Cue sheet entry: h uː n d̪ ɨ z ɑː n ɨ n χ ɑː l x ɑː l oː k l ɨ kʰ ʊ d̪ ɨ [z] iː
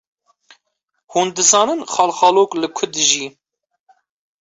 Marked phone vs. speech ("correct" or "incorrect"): incorrect